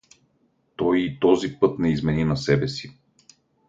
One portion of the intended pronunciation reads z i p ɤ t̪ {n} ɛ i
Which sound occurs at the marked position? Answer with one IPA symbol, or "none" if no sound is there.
n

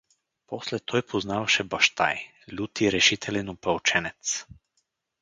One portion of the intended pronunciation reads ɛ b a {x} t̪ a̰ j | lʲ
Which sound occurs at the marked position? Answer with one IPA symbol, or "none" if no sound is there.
ʃ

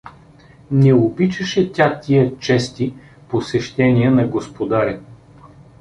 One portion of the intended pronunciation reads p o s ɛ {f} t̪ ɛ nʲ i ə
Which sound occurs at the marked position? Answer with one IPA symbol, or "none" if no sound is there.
ʃ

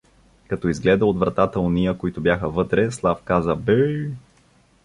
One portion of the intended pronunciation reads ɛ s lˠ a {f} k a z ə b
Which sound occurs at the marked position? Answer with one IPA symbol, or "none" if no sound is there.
f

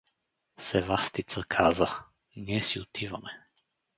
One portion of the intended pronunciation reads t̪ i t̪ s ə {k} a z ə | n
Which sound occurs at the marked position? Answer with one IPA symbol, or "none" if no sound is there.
kʰ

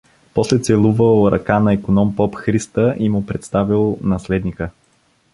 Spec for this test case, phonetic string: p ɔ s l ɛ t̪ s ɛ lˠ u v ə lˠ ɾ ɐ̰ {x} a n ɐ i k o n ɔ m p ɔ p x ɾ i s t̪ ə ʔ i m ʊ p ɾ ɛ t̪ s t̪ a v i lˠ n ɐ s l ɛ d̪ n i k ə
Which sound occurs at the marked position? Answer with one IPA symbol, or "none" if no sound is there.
k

